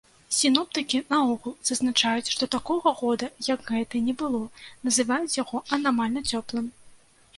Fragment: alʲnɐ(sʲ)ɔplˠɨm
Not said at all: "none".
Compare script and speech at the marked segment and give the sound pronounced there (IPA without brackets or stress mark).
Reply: t͡sʲ